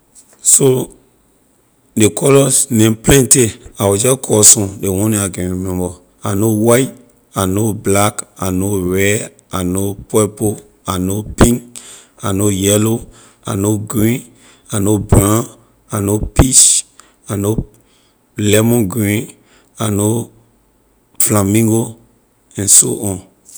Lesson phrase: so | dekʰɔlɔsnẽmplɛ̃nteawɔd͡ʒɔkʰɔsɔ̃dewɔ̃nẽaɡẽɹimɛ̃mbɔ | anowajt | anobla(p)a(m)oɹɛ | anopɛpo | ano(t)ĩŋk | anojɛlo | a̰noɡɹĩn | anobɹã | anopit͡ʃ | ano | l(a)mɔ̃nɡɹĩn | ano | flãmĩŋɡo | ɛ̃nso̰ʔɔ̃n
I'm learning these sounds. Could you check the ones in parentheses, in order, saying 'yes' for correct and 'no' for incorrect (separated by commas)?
no, no, no, no